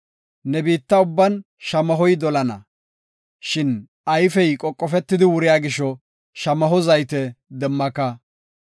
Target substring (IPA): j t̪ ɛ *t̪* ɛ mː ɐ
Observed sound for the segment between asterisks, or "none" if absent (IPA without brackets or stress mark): d̪